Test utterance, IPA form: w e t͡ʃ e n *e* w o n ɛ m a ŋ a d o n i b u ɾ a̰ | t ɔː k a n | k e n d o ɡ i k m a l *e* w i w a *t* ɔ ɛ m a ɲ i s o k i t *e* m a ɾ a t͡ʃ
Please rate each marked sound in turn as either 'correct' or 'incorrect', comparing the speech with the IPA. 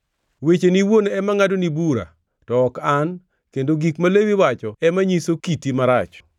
incorrect: i, correct, incorrect: t͡ʃ, incorrect: i

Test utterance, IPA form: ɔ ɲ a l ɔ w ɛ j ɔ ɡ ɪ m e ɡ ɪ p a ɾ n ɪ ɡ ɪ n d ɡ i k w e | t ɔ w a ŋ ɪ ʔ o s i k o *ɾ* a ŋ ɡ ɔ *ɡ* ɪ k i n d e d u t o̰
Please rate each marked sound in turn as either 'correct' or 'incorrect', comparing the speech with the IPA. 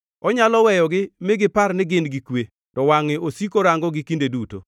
correct, correct

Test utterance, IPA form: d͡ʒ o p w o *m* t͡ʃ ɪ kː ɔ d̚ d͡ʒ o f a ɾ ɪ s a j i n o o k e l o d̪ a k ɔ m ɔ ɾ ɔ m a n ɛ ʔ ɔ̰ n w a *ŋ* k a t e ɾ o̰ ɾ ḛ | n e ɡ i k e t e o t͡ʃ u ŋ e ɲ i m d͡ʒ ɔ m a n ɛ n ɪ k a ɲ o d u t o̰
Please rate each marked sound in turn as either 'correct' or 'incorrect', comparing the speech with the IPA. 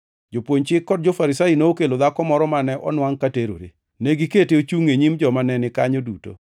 incorrect: ɲ, correct

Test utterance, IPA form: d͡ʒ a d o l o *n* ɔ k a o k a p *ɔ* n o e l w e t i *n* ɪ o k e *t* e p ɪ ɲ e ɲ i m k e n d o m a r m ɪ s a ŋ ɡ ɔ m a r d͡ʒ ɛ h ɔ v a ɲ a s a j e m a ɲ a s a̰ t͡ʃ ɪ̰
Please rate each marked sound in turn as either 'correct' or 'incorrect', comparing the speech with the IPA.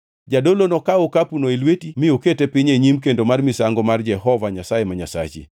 correct, incorrect: u, incorrect: m, correct

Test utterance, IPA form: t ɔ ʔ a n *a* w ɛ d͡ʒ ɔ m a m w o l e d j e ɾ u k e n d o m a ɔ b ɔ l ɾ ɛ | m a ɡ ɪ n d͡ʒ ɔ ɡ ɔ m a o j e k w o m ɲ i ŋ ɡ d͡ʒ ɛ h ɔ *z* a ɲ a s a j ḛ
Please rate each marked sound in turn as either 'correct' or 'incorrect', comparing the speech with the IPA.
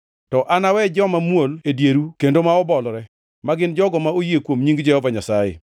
correct, incorrect: v

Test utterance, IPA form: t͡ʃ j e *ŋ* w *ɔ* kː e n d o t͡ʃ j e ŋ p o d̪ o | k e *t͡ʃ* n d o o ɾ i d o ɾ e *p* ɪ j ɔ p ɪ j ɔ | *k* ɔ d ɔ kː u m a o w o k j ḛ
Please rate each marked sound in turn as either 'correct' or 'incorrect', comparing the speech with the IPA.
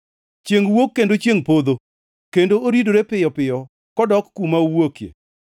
correct, incorrect: o, incorrect: none, correct, correct

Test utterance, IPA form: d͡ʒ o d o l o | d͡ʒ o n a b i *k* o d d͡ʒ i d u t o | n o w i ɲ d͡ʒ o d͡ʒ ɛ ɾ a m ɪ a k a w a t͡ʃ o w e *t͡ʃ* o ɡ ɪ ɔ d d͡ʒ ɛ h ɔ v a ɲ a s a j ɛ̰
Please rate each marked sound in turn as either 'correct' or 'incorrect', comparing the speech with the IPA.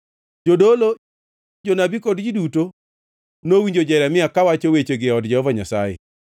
correct, correct

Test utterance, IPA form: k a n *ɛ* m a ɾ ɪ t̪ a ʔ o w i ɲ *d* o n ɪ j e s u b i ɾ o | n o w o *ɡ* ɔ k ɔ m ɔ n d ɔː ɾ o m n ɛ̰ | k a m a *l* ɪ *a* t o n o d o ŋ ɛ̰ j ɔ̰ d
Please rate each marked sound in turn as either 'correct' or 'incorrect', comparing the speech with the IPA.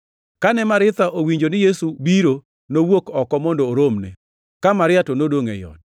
correct, incorrect: d͡ʒ, incorrect: k, incorrect: ɾ, correct

